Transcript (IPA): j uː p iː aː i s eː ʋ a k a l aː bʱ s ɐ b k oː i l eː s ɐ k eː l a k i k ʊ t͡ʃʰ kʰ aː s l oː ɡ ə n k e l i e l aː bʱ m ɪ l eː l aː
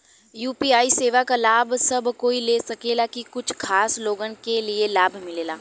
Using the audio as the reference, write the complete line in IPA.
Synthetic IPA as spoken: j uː p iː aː i s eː ʋ a k a l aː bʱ s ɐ b k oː i l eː s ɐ k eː l a k i k ʊ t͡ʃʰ kʰ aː s l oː ɡ ə n k e l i e l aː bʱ m ɪ l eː l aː